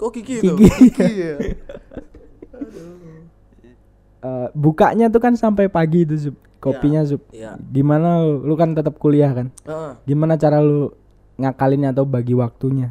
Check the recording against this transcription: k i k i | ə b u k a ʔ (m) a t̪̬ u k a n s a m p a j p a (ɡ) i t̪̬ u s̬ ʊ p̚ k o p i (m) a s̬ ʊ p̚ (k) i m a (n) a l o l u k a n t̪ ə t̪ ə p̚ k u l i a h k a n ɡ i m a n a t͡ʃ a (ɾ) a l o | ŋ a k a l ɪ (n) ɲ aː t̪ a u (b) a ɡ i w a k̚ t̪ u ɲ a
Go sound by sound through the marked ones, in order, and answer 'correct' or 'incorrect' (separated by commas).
incorrect, correct, incorrect, incorrect, correct, correct, correct, correct